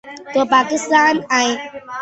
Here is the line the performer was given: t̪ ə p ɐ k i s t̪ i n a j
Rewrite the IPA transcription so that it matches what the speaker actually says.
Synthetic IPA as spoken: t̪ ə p a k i s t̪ a n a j

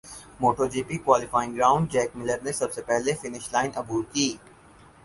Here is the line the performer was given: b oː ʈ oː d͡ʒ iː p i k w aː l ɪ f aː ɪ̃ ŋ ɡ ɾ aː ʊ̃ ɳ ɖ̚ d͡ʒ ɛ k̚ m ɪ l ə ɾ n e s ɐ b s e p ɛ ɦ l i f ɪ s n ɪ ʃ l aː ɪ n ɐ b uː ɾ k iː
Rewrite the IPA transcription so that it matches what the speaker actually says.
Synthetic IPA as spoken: m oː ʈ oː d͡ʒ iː p i k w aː l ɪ f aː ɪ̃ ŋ ɡ ɾ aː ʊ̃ ɳ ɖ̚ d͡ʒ ɛː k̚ m ɪ l ə ɾ n e s ɐ b s e p ɛ ɦ l e f ɪ n ɪ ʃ l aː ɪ n ɐ b uː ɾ k iː

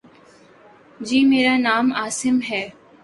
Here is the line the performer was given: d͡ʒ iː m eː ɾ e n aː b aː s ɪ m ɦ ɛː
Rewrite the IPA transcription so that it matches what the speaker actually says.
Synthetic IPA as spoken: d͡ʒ iː m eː ɾ a n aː m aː s ɪ m ɦ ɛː

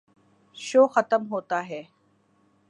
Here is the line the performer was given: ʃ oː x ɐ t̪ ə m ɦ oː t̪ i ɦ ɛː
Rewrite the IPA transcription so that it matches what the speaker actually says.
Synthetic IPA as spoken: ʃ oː x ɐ t̪ ə m ɦ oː t̪ a ɦ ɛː

